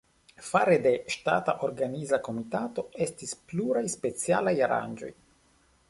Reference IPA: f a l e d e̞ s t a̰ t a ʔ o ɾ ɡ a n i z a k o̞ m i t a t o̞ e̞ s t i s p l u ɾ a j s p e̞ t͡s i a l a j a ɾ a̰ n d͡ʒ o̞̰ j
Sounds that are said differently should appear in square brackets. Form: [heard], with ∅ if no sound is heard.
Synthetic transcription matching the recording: f a [ɾ] e d e̞ [ʃ] t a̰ t a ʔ o ɾ ɡ a n i z a k o̞ m i t a t o̞ e̞ s t i s p l u ɾ a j s p e̞ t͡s i a l a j a ɾ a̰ n d͡ʒ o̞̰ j